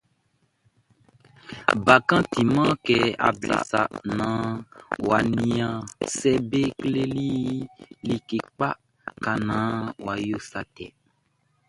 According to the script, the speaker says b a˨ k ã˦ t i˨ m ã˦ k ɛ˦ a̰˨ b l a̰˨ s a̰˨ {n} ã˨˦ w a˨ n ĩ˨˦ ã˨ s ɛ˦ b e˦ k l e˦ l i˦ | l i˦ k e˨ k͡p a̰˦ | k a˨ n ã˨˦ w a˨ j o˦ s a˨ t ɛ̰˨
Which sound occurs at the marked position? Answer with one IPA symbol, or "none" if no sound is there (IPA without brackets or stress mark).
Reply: n